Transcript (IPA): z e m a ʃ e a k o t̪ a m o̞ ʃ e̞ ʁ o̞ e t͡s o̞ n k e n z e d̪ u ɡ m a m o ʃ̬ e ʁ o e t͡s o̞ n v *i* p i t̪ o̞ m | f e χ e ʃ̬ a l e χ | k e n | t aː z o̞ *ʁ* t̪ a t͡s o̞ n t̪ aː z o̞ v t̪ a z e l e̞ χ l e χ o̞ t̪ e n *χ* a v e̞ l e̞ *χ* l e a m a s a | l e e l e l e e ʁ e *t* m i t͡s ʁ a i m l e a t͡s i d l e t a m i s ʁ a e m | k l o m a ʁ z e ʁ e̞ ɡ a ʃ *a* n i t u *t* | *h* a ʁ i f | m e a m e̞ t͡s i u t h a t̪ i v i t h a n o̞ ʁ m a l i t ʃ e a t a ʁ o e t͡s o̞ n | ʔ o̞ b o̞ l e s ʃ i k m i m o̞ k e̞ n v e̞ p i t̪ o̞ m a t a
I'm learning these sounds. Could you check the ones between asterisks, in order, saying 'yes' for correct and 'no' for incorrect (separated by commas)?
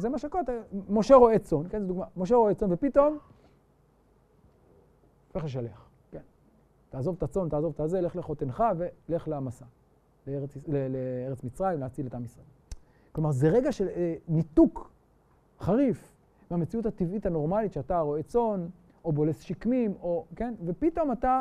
no, no, yes, yes, no, no, no, no